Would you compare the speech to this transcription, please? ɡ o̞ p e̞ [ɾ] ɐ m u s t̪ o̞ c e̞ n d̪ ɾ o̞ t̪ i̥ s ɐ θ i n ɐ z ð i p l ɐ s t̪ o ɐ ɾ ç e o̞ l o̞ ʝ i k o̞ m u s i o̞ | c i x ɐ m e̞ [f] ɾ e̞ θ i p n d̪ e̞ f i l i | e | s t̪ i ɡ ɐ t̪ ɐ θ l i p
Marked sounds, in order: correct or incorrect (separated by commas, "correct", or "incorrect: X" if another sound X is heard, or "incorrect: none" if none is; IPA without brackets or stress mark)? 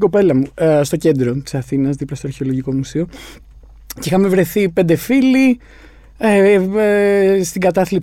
incorrect: l, incorrect: v